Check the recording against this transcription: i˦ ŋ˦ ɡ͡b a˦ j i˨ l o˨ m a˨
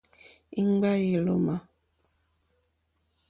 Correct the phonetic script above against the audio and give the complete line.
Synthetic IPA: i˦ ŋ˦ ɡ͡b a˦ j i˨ l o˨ m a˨